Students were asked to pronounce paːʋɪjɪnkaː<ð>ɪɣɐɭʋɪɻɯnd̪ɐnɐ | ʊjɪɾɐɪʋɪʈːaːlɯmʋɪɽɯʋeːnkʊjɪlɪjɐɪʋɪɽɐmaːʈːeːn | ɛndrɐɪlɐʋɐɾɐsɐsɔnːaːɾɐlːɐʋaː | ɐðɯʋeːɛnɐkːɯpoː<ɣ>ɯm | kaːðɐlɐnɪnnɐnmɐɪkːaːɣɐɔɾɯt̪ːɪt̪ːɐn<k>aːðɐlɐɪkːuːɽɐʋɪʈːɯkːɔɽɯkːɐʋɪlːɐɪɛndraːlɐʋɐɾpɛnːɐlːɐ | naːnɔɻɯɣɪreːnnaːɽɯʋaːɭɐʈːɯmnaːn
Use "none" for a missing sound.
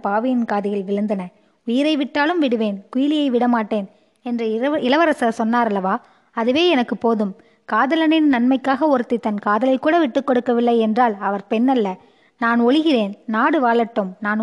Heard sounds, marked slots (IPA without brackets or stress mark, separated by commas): ð, ð, k